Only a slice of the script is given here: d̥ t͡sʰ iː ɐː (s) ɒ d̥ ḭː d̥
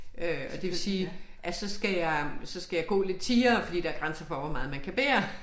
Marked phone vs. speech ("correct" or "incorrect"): incorrect